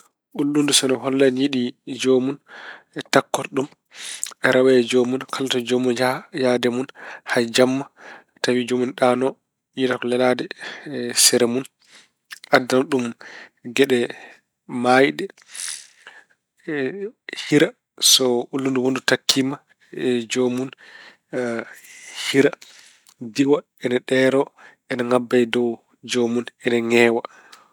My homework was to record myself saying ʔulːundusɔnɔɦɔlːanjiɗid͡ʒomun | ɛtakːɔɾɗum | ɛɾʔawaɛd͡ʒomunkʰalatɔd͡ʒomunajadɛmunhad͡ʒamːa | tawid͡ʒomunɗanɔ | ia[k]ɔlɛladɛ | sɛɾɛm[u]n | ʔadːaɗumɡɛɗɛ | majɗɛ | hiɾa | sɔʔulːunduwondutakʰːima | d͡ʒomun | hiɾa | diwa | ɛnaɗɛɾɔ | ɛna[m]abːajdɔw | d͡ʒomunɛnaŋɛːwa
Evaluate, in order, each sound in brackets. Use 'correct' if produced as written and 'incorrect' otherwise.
correct, correct, incorrect

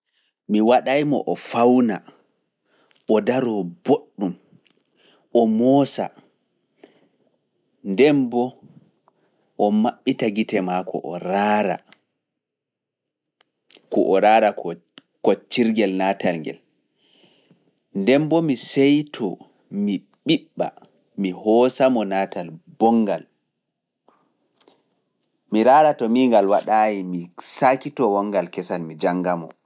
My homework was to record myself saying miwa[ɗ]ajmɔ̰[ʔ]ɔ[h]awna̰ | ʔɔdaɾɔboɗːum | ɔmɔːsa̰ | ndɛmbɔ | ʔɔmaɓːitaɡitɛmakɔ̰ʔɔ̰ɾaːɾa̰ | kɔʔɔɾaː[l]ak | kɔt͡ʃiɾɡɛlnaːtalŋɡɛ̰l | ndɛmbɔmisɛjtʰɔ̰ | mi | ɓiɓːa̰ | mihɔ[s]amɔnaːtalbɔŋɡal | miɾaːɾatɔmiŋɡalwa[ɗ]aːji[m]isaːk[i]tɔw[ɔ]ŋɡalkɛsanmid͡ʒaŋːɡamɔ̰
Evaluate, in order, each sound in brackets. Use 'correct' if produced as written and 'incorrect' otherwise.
correct, correct, incorrect, incorrect, correct, correct, correct, correct, correct

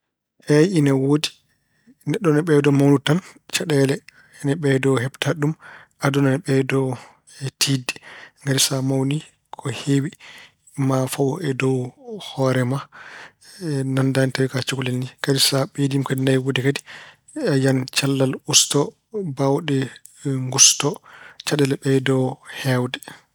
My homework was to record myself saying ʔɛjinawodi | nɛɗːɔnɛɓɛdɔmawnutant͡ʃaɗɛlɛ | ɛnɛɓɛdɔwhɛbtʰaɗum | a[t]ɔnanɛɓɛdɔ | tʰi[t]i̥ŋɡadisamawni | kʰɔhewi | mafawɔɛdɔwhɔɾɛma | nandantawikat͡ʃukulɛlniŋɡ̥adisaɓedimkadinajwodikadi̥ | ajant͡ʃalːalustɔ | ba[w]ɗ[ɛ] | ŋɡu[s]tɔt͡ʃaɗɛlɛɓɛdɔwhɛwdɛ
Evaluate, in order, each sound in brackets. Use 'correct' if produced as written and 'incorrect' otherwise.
incorrect, incorrect, correct, correct, correct

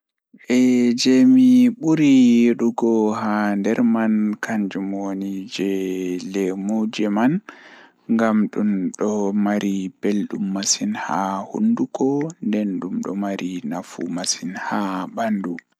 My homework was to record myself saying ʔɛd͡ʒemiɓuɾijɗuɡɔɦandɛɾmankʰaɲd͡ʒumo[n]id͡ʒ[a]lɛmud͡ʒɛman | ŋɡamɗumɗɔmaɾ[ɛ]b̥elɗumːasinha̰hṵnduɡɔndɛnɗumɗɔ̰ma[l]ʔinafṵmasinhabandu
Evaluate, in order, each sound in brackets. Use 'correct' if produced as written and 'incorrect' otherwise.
correct, incorrect, incorrect, incorrect

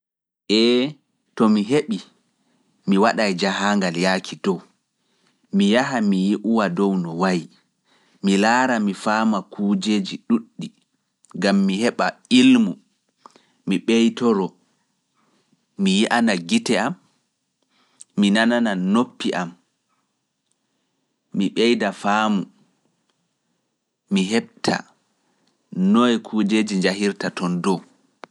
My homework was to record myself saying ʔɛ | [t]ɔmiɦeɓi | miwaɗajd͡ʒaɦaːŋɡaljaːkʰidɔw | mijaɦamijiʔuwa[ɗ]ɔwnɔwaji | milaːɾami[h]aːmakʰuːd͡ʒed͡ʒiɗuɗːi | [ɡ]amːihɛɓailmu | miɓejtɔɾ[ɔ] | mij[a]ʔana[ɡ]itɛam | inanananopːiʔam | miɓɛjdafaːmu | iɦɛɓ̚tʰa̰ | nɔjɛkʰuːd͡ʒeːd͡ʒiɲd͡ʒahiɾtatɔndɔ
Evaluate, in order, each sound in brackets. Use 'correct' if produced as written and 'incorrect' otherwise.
correct, incorrect, incorrect, correct, correct, incorrect, correct

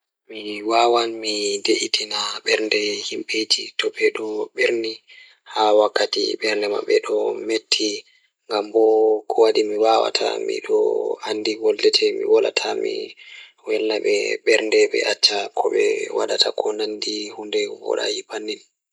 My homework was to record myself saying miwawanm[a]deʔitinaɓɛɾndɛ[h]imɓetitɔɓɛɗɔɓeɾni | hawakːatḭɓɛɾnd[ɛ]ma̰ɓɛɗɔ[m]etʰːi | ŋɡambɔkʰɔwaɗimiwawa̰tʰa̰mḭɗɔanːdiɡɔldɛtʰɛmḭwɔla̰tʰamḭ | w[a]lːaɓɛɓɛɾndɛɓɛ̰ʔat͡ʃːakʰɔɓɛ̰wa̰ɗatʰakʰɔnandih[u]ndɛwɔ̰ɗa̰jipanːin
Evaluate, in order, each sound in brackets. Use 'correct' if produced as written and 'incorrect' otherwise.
incorrect, correct, correct, correct, incorrect, correct

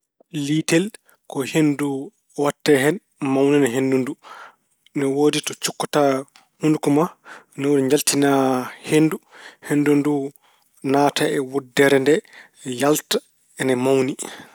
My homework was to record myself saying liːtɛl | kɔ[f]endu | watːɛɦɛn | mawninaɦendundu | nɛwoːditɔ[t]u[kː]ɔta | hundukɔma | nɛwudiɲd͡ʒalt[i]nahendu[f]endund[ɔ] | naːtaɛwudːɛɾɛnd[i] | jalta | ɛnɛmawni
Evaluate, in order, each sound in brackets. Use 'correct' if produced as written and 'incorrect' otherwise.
incorrect, incorrect, correct, correct, incorrect, incorrect, incorrect

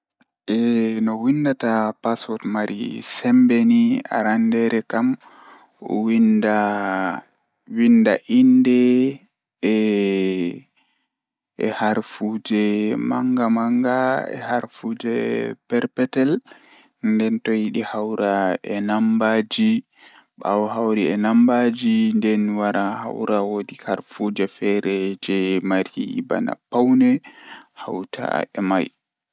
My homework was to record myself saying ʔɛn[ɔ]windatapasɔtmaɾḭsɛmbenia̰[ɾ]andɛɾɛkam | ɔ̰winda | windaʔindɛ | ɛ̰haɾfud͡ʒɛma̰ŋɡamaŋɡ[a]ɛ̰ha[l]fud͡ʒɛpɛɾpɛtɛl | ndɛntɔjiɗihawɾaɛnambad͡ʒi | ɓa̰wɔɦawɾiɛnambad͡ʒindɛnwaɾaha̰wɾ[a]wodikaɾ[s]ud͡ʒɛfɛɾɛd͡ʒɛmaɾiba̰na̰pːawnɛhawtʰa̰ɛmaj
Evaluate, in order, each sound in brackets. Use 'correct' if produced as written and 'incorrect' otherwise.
correct, correct, correct, incorrect, correct, incorrect

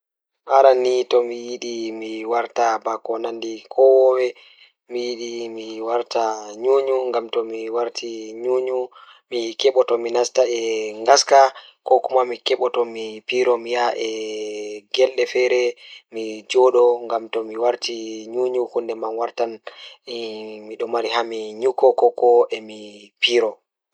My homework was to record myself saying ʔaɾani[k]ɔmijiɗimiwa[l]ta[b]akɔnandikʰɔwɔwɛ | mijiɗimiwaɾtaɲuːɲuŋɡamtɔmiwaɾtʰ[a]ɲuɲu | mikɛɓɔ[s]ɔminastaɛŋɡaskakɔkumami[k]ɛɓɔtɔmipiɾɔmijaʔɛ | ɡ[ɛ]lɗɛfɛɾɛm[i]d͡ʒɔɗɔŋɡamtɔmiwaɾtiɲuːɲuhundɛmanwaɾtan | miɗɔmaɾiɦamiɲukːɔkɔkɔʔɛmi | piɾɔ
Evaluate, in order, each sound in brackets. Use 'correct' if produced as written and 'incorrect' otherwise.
incorrect, incorrect, correct, incorrect, incorrect, correct, correct, correct

